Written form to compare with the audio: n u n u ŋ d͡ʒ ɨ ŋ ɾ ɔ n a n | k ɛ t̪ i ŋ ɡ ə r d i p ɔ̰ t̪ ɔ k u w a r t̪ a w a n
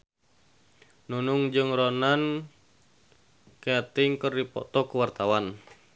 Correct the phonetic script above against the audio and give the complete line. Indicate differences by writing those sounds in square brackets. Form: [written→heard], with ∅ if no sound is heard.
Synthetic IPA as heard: n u n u ŋ d͡ʒ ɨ ŋ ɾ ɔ n a n | k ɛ t̪ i ŋ [ɡ→k] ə r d i p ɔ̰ t̪ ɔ k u w a r t̪ a w a n